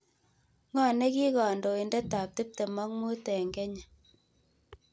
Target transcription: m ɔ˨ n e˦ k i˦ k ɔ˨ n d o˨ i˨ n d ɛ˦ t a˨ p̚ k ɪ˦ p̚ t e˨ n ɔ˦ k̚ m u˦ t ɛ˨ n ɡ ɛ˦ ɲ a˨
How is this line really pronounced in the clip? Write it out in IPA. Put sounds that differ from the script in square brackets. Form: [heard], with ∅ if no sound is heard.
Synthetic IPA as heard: [ŋ] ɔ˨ n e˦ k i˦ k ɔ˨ n d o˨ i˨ n d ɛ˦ t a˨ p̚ [t] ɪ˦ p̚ t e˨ [m] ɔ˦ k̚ m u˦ t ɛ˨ [ŋ] ɡ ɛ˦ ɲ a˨